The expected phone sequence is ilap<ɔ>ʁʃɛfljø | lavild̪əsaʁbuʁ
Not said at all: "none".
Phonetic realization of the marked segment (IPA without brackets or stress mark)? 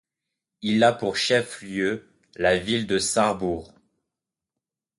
u